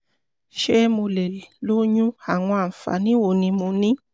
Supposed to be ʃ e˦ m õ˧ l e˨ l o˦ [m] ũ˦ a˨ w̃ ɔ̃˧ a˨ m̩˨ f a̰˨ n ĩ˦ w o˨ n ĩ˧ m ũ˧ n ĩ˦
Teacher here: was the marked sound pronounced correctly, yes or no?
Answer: no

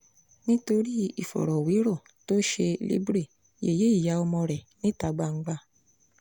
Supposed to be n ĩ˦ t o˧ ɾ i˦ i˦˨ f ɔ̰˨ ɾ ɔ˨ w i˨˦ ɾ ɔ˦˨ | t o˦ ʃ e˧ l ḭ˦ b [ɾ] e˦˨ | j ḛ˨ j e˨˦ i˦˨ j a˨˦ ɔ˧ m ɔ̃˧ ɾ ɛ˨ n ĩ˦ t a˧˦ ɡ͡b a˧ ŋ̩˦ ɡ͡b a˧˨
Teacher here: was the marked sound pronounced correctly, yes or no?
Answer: yes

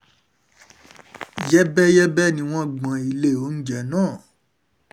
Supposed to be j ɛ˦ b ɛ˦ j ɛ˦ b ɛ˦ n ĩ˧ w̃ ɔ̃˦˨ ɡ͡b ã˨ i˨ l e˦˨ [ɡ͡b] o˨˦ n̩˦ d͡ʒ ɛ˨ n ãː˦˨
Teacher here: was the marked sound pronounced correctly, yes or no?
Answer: no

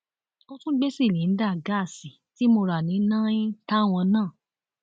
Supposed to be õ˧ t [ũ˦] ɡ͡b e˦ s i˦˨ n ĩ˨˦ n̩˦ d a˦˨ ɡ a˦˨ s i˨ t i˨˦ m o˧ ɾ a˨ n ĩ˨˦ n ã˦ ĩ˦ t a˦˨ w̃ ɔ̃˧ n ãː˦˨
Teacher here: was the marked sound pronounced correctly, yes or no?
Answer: yes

